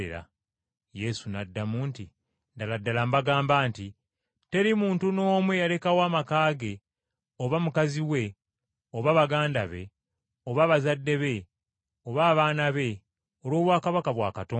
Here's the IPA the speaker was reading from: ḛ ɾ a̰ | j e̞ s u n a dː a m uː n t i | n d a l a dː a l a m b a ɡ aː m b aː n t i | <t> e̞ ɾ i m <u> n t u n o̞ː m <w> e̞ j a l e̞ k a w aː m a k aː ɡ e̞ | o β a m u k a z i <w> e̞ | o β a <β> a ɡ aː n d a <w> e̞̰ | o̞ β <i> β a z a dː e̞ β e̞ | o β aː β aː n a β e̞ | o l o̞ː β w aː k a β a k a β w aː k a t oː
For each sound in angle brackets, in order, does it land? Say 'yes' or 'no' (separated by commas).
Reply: yes, no, yes, yes, yes, no, no